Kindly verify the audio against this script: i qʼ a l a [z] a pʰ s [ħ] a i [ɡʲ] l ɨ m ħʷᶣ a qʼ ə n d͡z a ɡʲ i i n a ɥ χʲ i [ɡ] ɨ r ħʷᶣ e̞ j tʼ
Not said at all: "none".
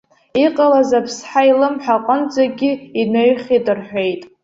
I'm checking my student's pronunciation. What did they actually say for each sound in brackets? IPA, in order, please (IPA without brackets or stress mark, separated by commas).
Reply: z, ħ, none, d